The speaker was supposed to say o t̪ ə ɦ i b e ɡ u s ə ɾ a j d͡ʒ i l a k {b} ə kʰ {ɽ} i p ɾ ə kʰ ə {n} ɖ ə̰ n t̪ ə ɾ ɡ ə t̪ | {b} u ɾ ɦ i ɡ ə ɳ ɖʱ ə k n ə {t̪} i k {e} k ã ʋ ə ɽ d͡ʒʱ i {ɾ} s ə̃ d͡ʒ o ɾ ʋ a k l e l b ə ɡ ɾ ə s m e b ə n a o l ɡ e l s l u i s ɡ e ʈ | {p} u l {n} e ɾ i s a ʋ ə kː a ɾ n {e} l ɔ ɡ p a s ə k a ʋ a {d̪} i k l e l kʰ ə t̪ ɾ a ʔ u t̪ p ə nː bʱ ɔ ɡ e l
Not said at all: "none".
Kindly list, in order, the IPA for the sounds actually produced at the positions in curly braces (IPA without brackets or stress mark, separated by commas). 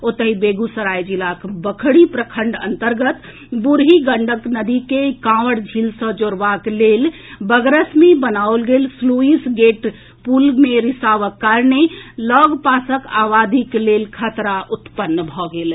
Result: b, ɽ, ɳ, b, d̪, e, l, p, m, e, d̪